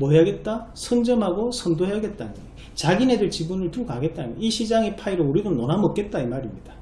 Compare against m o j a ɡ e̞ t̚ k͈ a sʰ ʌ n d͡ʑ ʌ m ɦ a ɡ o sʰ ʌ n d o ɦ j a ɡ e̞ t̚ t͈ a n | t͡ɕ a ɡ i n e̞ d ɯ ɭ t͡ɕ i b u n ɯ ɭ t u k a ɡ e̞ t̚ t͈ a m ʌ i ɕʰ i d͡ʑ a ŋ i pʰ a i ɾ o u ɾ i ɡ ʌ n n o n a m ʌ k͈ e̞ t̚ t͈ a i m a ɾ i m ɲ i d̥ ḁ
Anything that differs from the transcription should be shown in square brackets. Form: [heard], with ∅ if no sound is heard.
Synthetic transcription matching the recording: m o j a ɡ e̞ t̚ [t͈] a sʰ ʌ n d͡ʑ ʌ m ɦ a ɡ o sʰ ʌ n d o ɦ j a ɡ e̞ t̚ t͈ a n | t͡ɕ a ɡ i n e̞ d ɯ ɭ t͡ɕ i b u n ɯ ɭ t u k a ɡ e̞ t̚ t͈ a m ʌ i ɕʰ i d͡ʑ a ŋ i pʰ a i ɾ o u ɾ i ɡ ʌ n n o n a m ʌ k͈ e̞ t̚ t͈ a i m a ɾ i m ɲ i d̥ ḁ